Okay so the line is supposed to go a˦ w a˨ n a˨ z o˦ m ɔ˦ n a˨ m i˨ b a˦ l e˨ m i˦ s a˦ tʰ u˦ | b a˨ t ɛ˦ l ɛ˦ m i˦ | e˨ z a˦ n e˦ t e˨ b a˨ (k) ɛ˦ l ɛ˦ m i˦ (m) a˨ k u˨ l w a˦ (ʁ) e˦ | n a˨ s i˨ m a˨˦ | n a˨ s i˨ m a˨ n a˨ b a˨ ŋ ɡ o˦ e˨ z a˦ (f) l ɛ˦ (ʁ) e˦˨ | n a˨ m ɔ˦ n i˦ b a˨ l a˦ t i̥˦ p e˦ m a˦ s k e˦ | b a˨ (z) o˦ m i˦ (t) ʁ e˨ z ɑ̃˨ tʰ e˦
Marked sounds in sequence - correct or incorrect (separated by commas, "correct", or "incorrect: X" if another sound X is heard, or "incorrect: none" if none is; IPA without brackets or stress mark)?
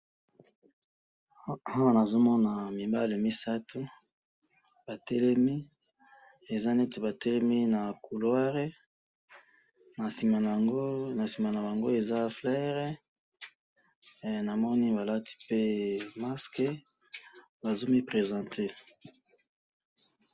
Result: incorrect: t, incorrect: n, correct, correct, correct, correct, incorrect: p